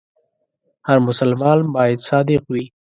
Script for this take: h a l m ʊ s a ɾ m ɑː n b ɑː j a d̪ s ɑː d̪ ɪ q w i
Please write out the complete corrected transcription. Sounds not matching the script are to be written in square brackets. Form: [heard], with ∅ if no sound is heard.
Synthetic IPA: h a [ɾ] m ʊ s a [l] m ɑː n b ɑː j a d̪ s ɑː d̪ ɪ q w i